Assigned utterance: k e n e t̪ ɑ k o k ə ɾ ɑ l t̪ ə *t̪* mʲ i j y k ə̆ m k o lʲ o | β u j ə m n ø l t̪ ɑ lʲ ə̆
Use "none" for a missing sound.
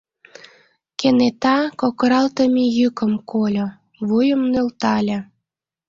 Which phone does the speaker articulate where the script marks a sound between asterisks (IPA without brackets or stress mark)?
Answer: none